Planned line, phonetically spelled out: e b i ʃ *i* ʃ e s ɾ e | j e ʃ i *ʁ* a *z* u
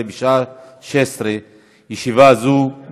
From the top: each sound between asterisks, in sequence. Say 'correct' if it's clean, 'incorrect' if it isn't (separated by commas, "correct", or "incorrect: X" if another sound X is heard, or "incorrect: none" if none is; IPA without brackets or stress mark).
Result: incorrect: a, incorrect: v, correct